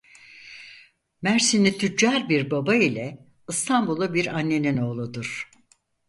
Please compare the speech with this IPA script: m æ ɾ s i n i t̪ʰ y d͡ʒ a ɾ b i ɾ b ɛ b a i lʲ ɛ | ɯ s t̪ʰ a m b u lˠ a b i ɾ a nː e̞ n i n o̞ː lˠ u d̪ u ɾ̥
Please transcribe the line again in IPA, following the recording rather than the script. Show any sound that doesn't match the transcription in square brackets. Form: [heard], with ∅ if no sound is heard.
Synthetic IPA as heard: m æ ɾ s i n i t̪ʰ y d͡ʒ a ɾ b i ɾ b [a] b a i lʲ ɛ | ɯ s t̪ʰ a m b u lˠ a b i ɾ a nː e̞ n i n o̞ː lˠ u d̪ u ɾ̥